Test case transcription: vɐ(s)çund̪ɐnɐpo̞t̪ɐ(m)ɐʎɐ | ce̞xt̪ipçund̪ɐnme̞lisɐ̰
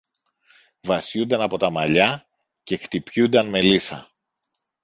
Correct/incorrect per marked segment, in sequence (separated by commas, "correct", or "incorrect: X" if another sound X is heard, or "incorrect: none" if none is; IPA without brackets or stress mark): correct, correct